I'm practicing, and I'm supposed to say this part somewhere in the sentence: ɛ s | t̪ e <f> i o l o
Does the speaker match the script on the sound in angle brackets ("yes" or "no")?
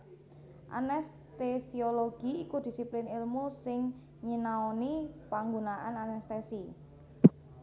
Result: no